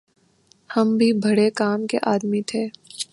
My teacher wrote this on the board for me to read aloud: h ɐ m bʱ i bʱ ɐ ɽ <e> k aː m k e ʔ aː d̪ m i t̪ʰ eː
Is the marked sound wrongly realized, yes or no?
no